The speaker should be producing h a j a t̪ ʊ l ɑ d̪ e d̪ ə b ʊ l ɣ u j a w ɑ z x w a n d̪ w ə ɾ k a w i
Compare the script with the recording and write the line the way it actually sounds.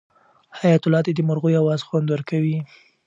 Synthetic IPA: h a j a t̪ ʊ l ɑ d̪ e d̪ ə m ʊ ɾ ɣ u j a w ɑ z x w a n d̪ w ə ɾ k a w i